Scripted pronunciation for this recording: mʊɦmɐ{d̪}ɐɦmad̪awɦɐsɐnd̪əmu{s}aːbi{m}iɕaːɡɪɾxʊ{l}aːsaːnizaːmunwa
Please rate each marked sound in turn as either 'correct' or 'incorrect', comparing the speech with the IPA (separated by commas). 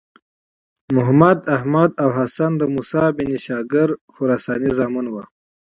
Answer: correct, correct, incorrect, incorrect